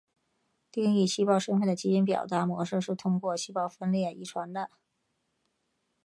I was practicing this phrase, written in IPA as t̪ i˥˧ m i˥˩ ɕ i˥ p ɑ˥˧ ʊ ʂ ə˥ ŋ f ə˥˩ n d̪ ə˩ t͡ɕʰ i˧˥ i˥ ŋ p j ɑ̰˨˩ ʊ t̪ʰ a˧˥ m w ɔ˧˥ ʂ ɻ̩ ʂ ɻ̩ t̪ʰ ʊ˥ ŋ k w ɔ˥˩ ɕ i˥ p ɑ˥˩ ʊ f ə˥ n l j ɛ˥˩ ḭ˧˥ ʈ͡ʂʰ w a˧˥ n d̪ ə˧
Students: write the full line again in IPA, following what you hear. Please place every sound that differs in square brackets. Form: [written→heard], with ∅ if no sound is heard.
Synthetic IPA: t̪ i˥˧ [m→ŋ] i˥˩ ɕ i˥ p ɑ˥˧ ʊ ʂ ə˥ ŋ f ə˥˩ n d̪ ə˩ [t͡ɕʰ→t͡ɕ] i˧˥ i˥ [ŋ→n] p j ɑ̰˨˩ ʊ [t̪ʰ→t̪] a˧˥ m w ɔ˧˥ ʂ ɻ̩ ʂ ɻ̩ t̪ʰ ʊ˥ ŋ k w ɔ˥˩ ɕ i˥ p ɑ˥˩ ʊ f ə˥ n l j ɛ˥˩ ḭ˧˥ ʈ͡ʂʰ w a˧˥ n d̪ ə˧